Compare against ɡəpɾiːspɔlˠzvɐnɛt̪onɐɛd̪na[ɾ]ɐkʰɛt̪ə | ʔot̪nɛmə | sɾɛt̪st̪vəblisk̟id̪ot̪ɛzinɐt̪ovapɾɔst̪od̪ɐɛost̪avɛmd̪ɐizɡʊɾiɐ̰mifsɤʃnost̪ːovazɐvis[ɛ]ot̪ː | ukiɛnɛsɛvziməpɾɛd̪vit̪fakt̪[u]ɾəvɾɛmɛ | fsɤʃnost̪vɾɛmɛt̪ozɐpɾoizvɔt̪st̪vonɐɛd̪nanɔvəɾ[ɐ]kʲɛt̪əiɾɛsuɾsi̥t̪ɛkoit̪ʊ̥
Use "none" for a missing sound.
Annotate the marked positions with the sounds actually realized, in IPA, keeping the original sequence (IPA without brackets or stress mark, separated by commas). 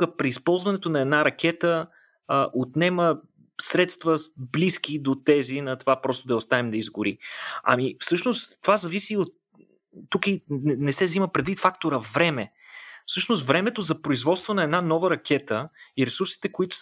ɾ, i, o, ɐ